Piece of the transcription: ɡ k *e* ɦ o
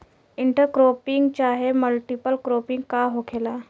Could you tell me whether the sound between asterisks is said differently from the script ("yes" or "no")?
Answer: yes